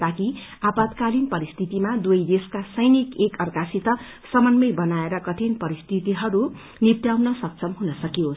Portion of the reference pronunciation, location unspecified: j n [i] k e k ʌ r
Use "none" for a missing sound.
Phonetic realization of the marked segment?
i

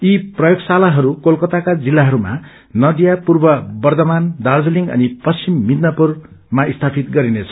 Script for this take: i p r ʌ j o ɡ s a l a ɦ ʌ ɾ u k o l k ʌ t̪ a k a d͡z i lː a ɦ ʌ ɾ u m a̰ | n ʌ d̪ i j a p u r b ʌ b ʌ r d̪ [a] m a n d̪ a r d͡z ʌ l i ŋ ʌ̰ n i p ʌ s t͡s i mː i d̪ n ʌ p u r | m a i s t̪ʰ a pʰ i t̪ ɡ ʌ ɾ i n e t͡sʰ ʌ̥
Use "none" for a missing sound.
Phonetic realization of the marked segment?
ʌ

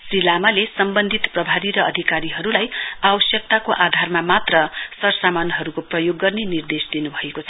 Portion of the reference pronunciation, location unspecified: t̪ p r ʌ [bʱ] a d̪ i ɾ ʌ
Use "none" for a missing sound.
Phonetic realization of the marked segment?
bʱ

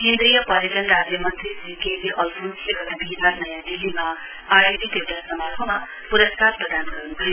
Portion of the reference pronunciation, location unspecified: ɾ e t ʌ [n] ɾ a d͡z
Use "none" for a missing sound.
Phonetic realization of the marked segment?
n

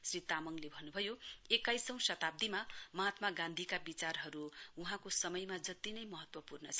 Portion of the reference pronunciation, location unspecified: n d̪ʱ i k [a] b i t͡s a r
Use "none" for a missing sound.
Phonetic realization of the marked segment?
a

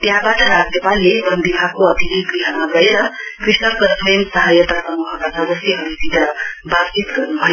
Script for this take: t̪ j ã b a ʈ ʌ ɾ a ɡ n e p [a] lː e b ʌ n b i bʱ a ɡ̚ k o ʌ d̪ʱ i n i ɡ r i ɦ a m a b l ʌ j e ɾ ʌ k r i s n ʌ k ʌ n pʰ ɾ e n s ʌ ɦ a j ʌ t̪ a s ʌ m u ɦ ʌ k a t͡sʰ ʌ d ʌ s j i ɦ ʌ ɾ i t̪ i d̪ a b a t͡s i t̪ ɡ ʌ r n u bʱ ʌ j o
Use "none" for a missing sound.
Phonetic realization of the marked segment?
a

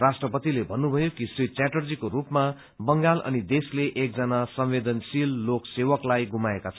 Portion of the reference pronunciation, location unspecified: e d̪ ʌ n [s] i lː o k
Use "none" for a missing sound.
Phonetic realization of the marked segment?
s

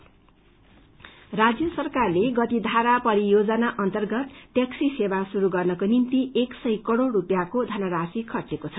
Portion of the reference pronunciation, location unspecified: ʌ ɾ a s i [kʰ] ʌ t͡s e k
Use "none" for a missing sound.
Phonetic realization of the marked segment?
kʰ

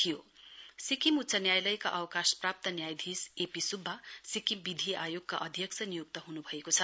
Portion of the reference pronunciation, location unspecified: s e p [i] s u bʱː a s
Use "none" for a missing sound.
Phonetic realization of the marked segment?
i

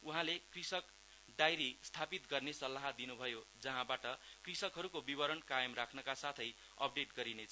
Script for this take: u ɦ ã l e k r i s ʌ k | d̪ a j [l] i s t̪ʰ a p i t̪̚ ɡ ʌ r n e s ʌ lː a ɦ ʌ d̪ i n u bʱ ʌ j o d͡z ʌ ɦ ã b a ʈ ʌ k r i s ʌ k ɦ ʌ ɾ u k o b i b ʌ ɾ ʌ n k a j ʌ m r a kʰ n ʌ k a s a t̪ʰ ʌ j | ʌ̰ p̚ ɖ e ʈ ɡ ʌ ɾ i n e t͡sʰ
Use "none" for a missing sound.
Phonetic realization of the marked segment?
ɾ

